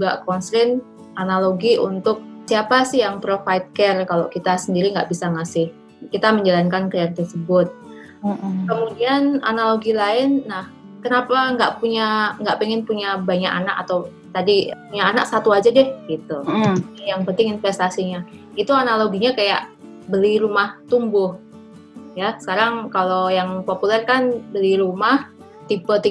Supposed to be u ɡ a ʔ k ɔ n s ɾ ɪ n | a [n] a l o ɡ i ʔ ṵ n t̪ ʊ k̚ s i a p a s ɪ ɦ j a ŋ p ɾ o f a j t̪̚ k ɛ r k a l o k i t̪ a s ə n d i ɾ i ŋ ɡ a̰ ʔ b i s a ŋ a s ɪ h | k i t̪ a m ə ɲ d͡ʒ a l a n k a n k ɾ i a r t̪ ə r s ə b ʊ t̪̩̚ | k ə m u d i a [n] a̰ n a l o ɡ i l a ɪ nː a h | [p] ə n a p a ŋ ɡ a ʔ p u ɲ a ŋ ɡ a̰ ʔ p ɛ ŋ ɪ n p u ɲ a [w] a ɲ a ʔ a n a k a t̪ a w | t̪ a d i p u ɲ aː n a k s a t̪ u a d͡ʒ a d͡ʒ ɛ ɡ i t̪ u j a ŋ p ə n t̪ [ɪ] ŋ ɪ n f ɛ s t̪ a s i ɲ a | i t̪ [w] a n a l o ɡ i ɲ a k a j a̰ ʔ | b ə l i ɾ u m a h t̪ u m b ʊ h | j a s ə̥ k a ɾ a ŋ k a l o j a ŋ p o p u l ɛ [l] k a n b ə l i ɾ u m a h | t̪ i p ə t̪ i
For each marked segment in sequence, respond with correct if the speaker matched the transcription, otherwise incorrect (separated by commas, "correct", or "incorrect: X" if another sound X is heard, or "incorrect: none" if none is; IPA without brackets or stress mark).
correct, correct, incorrect: k, incorrect: b, correct, incorrect: u, incorrect: r